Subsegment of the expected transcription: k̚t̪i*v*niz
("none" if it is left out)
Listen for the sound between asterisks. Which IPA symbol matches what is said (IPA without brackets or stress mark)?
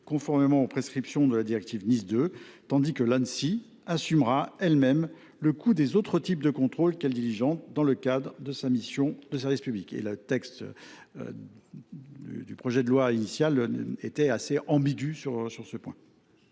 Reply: v